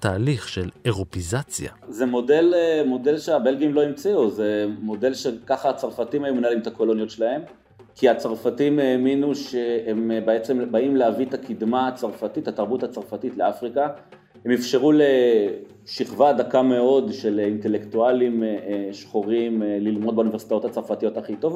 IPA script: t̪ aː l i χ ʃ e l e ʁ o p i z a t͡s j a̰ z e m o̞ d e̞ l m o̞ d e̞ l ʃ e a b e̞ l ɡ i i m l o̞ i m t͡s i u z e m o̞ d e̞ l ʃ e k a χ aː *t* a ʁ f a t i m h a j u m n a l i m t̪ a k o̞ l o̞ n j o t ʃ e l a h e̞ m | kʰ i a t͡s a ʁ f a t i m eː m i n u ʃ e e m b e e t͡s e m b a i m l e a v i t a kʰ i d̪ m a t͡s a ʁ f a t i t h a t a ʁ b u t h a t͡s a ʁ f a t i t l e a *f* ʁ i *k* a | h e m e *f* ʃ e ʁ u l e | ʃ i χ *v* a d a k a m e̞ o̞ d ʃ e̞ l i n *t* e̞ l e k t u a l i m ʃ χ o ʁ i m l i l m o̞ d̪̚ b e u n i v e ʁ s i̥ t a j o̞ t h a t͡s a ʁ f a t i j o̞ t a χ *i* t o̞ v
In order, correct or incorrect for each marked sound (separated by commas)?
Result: incorrect, correct, correct, correct, correct, correct, correct